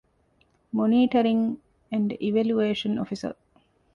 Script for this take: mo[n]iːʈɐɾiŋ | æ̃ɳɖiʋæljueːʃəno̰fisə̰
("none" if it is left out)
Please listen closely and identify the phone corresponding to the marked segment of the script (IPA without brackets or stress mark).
n